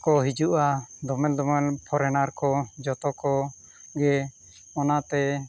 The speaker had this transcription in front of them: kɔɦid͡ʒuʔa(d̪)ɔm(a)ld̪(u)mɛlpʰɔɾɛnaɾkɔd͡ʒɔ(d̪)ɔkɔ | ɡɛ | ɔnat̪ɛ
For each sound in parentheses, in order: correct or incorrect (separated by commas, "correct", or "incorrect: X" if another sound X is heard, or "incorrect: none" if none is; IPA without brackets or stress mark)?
correct, incorrect: ɛ, incorrect: ɔ, incorrect: t̪